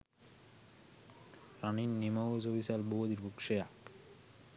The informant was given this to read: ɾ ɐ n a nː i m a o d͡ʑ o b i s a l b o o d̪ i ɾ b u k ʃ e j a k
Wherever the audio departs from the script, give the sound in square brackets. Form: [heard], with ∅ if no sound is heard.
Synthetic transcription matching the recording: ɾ [a] n [i] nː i m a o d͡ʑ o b i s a l b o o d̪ i ɾ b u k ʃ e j a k